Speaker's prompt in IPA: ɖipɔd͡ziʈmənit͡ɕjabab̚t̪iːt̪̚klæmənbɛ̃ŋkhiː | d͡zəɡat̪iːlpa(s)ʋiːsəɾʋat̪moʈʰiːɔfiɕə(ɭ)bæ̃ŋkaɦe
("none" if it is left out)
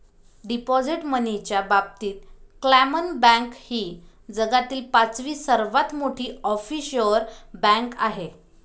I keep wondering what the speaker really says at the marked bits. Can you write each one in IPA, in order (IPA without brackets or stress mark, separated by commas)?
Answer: t͡s, ɾ